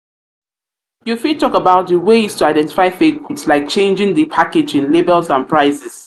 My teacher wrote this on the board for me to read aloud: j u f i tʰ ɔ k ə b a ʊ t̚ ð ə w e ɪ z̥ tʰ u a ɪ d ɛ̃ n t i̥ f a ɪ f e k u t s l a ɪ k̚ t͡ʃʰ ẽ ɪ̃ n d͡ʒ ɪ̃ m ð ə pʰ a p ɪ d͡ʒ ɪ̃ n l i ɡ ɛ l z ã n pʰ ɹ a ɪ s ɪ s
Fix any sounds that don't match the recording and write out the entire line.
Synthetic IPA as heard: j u f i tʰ ɔ k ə b a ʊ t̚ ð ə w e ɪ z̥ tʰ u a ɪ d ɛ̃ n t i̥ f a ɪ f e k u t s l a ɪ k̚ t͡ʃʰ ẽ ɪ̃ n d͡ʒ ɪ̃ ŋ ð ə pʰ a k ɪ d͡ʒ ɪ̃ n l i b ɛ l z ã n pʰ ɹ a ɪ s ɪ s